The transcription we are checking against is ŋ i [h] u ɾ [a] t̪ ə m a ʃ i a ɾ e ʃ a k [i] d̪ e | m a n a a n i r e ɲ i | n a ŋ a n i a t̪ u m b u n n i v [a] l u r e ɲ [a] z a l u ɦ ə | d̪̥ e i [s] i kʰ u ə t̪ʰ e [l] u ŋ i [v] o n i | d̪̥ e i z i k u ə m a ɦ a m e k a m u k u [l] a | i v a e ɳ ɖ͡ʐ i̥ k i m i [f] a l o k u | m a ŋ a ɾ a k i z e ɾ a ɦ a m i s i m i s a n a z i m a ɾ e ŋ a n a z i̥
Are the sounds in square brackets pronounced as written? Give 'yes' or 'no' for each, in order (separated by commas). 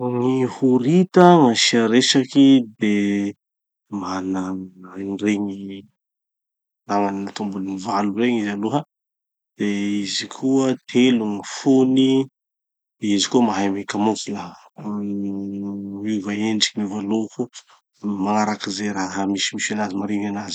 yes, no, yes, yes, no, no, yes, no, yes, no